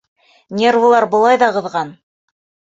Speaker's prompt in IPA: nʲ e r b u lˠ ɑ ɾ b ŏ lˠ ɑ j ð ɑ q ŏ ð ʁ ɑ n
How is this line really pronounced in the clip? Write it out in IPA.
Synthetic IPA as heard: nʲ e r v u lˠ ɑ ɾ b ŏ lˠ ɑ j ð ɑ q ɤ̆ ð ʁ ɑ n